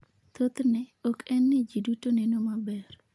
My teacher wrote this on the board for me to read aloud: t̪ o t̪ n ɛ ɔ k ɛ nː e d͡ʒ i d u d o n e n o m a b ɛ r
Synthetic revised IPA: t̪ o t̪ n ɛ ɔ k ɛ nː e d͡ʒ i d u t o n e n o m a b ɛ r